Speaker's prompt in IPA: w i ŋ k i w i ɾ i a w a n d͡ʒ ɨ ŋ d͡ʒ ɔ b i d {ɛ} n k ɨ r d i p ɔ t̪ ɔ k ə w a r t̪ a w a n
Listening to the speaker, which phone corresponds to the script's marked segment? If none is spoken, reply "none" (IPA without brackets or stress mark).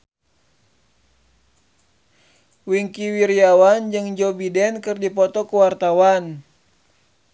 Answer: ɛ